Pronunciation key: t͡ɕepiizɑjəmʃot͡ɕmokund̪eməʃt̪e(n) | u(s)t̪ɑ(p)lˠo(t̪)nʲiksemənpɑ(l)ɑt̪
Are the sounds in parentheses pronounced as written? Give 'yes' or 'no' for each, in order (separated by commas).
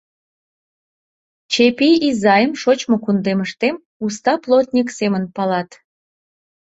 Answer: no, yes, yes, yes, yes